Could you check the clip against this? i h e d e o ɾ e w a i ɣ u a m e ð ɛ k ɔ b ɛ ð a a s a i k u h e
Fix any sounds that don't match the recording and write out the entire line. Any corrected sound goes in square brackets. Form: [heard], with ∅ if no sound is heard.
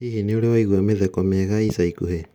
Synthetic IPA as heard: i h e [n] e o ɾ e w a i ɣ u a m e ð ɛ k ɔ [m] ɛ [ɣ] a [i] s a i k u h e

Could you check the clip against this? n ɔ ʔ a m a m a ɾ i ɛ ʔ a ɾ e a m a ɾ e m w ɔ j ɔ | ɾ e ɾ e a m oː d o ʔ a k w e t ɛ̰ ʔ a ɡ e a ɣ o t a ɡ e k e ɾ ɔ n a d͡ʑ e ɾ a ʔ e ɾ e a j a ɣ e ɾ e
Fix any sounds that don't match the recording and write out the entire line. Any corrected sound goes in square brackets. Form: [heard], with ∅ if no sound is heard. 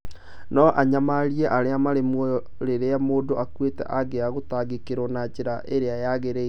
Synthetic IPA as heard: n ɔ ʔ a [ɲ] a m a ɾ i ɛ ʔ a ɾ e a m a ɾ e m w ɔ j ɔ | ɾ e ɾ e a m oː d o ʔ a k w e t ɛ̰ ʔ a ɡ e a ɣ o t a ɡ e k e ɾ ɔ n a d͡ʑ e ɾ a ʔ e ɾ e a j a ɣ e ɾ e

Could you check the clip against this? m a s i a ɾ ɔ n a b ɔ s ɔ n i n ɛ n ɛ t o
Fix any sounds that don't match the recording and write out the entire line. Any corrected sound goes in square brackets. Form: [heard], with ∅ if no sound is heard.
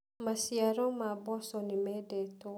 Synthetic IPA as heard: m a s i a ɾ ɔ [m] a b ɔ s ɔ n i [m] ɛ [d] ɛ t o

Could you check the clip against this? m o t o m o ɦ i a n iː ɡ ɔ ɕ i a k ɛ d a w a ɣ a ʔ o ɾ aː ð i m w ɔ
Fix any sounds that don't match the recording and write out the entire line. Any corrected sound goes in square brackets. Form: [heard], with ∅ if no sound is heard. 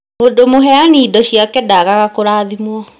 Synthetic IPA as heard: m o [d] o m o ɦ [ɛ] a n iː [d] ɔ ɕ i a k ɛ d a [ɣ] a ɣ a [k] o ɾ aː ð i m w ɔ

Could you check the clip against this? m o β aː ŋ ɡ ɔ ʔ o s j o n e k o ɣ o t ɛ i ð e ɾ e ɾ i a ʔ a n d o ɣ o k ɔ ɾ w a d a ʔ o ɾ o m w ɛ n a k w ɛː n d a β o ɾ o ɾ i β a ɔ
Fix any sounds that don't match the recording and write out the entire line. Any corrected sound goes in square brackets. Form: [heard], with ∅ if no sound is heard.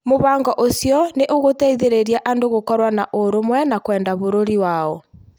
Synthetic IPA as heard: m o β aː ŋ ɡ ɔ ʔ o s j [ɔ] n e [ʔ] o ɣ o t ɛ i ð e ɾ e ɾ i a ʔ a n d o ɣ o k ɔ ɾ w a [n] a ʔ o ɾ o m w ɛ n a k w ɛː n d a β o ɾ o ɾ i [w] a ɔ

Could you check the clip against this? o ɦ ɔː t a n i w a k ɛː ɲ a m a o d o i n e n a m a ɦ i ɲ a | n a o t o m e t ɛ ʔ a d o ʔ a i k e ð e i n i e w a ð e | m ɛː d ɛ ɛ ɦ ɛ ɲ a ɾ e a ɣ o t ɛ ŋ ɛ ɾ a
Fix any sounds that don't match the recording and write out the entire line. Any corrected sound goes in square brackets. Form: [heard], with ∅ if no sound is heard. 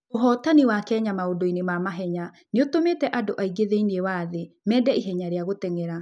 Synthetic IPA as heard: o ɦ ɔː t a n i w a k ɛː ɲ a m a o d o i n e [m] a m a ɦ [ɛ] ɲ a | n [e] o t o m e t ɛ ʔ a d o ʔ a i [ɡ] e ð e i n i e w a ð e | m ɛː d ɛ [i] ɦ ɛ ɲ a ɾ e a ɣ o t ɛ ŋ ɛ ɾ a

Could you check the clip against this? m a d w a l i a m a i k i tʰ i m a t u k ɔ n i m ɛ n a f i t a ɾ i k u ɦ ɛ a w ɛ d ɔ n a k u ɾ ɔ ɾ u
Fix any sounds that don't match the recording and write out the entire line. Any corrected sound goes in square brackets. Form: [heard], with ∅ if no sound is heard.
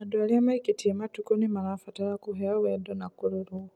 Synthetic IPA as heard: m a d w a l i a m a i k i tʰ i m a t u k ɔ n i m [a] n a f [a] t a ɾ [a] k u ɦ ɛ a w ɛ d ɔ n a k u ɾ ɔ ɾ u

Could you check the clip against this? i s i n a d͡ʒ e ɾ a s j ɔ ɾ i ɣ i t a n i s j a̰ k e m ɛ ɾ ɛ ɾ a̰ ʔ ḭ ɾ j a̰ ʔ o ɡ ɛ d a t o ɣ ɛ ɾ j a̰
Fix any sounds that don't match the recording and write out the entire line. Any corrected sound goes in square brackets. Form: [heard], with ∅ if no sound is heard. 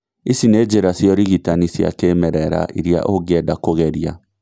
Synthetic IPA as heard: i s i n [e] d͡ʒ e ɾ a s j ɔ ɾ i ɣ i t a n i s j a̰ k e m ɛ ɾ ɛ ɾ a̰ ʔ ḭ ɾ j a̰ ʔ o ɡ ɛ d a [k] o ɣ ɛ ɾ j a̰

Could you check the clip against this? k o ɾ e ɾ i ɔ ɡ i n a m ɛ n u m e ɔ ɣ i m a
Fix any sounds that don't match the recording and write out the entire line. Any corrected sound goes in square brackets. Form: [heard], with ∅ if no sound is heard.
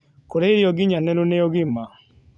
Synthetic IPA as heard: k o ɾ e ɾ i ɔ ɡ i [ɲ] a [n] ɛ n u [n] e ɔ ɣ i m a

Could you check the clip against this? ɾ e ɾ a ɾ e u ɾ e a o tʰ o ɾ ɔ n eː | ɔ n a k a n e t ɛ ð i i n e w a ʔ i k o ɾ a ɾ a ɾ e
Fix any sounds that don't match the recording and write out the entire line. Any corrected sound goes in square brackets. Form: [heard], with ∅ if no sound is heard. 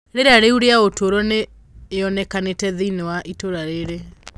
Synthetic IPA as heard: ɾ e ɾ a ɾ e u ɾ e a o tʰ o ɾ ɔ n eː | ɔ n [ɛ] k a n e t ɛ ð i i n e w a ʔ i [t] o ɾ a ɾ [e] ɾ e

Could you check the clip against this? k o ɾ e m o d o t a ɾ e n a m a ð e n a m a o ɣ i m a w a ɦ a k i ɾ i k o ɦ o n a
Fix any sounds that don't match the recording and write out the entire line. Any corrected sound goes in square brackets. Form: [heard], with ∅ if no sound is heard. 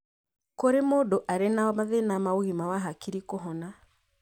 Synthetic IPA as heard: k o ɾ e m o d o [ʔ] a ɾ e n a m a ð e n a m a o ɣ i m a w a ɦ a k i ɾ i k o ɦ [ɔ] n a

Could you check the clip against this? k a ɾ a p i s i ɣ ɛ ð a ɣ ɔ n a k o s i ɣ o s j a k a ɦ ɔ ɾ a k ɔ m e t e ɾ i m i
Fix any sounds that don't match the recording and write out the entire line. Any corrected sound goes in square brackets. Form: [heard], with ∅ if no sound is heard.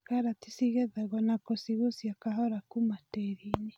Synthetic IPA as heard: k a ɾ a [t] i s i ɣ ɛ ð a ɣ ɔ n a k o s i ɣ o s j a k a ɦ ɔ ɾ a k [u] m [a] t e ɾ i [ɲ] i

